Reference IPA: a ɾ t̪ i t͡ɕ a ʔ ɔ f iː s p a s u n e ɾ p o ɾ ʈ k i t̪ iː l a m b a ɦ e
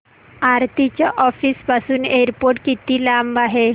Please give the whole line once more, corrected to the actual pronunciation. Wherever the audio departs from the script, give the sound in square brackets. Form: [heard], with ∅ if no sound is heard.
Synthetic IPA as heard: a ɾ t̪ i t͡ɕ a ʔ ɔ f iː s p a s [uː] n e ɾ p o ɾ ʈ k i t̪ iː l a m b a ɦ e